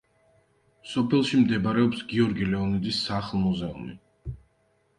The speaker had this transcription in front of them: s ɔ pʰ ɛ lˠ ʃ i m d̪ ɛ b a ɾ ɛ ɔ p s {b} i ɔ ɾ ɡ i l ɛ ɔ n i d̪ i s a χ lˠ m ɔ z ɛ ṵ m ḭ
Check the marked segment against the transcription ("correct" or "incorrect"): incorrect